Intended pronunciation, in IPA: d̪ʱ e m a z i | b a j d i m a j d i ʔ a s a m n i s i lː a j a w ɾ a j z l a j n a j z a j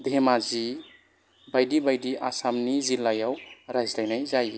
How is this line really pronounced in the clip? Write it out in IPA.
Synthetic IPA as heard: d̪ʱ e m a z i | b a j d i b a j d i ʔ a s a m n i z i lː a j a w ɾ a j z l a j n a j z a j